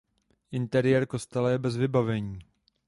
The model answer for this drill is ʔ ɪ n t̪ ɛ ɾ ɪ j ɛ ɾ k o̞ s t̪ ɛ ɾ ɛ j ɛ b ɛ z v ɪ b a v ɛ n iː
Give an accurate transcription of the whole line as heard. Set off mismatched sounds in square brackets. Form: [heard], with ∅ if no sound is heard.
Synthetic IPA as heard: ʔ ɪ n t̪ ɛ ɾ ɪ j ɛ ɾ k o̞ s t̪ ɛ [l] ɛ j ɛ b ɛ z v ɪ b a v ɛ [ɲ] iː